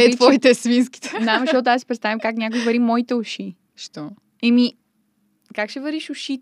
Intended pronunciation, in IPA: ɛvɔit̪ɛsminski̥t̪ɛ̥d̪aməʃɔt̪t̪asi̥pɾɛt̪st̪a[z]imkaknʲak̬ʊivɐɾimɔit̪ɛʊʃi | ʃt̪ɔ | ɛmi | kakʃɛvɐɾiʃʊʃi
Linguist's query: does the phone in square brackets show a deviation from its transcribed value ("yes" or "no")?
yes